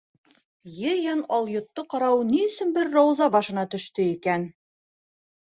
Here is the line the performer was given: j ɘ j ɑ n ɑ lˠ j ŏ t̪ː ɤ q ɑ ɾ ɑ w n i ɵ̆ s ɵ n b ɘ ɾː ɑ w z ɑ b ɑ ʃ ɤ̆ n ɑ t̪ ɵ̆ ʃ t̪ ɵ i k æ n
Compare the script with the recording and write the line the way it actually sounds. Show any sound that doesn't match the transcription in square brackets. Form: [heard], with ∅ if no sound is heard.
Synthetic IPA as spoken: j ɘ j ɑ n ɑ lˠ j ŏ t̪ː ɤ q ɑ ɾ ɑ w n i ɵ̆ s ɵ n b ɘ ɾː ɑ w z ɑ b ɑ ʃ ɤ̆ n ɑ t̪ ɵ̆ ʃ t̪ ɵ i k æ n

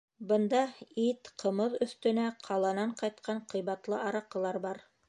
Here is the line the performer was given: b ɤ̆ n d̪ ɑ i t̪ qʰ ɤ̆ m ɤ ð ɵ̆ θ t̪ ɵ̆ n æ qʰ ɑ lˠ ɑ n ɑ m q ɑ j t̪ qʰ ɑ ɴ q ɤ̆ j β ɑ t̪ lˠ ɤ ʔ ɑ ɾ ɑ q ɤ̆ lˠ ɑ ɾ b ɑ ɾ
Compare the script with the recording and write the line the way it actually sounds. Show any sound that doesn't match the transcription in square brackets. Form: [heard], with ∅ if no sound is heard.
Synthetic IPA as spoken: b ɤ̆ n d̪ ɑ i t̪ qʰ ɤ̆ m ɤ ð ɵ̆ θ t̪ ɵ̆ n æ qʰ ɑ lˠ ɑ n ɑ [ɴ] q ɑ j t̪ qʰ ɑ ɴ q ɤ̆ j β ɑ t̪ lˠ ɤ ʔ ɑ ɾ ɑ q ɤ̆ lˠ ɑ ɾ b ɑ ɾ

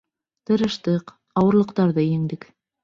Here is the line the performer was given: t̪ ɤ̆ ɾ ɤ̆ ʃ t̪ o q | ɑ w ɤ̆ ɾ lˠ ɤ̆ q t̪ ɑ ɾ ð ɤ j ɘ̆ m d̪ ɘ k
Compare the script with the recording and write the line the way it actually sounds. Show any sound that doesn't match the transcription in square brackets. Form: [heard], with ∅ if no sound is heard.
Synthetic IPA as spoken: t̪ ɤ̆ ɾ ɤ̆ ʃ t̪ [ɤ] q | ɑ w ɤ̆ ɾ lˠ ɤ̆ q t̪ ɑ ɾ ð ɤ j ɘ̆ [ŋ] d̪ ɘ k

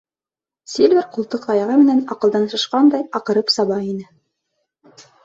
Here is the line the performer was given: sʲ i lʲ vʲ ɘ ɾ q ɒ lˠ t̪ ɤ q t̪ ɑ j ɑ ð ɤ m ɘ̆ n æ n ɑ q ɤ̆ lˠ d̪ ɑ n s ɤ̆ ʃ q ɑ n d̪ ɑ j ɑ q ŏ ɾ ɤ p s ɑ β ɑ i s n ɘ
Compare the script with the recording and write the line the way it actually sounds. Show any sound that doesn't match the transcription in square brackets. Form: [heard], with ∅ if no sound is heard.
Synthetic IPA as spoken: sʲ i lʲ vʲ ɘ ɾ q [u] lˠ t̪ ɤ q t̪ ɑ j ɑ [ʁ] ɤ m ɘ̆ n æ n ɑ q ɤ̆ lˠ d̪ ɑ n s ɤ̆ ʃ q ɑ n d̪ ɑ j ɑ q [ɤ̆] ɾ ɤ p s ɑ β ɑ i [∅] n ɘ

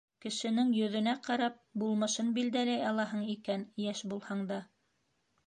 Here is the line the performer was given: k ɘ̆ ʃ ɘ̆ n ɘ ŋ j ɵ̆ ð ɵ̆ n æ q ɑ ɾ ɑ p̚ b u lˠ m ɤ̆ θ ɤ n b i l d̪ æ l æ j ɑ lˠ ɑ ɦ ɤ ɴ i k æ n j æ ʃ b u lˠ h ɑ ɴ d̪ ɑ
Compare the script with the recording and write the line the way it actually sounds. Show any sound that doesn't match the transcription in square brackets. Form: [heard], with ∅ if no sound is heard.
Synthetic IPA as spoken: k ɘ̆ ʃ ɘ̆ n ɘ ŋ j ɵ̆ ð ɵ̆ n æ q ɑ ɾ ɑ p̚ b u lˠ m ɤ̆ [ʃ] ɤ n b i l d̪ æ l æ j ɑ lˠ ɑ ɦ ɤ ɴ i k æ n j æ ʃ b u lˠ h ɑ ɴ d̪ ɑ

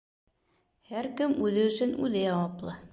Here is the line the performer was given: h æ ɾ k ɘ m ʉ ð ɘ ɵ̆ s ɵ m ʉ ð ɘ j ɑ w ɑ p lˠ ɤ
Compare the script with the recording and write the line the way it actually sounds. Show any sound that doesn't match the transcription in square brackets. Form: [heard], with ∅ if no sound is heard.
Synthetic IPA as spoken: h æ ɾ k ɘ m ʉ ð ɘ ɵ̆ s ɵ [n] ʉ ð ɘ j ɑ w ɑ p lˠ ɤ

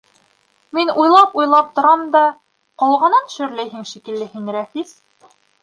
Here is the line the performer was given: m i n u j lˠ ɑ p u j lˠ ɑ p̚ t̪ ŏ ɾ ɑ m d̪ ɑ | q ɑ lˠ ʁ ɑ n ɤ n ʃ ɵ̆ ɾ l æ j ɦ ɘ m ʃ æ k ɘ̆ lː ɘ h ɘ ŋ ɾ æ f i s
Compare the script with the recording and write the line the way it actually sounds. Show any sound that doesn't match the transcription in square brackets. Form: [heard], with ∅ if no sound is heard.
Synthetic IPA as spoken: m i n u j lˠ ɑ p u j lˠ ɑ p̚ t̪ ŏ ɾ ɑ m d̪ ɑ | q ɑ lˠ ʁ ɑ n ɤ n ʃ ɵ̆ ɾ l æ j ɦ ɘ [ŋ] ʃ [i] k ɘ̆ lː ɘ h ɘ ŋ ɾ æ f i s

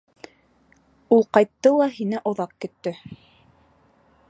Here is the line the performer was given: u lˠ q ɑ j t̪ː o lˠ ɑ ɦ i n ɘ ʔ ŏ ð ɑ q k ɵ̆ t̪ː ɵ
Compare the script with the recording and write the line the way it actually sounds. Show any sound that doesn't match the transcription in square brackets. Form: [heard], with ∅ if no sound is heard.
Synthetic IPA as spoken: u lˠ q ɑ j t̪ː [ɤ] lˠ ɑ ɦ i n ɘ ʔ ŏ ð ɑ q k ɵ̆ t̪ː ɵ

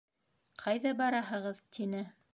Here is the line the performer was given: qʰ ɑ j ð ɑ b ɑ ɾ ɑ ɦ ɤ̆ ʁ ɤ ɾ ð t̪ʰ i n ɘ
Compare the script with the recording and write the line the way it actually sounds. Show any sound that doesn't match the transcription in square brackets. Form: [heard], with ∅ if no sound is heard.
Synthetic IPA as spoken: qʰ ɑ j ð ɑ b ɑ ɾ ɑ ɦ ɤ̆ ʁ ɤ [∅] ð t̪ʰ i n ɘ

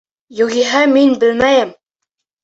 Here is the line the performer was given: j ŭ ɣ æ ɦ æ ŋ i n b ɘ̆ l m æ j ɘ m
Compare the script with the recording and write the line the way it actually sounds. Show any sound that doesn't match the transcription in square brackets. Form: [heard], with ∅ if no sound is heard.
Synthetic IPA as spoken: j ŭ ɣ [i] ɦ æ [m] i n b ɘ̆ l m æ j ɘ m

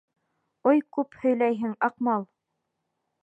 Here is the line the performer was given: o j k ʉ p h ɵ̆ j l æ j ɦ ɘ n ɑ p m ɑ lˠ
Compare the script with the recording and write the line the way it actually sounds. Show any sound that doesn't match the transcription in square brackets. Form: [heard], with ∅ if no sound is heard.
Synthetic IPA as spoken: o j k ʉ p h ɵ̆ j l æ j ɦ ɘ [ŋ] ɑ [q] m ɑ lˠ

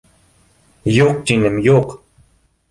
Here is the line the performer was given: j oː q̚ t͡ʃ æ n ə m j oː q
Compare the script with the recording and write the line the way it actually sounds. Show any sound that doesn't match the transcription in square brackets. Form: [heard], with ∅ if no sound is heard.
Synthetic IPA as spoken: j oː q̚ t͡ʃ [i] n ə m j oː q

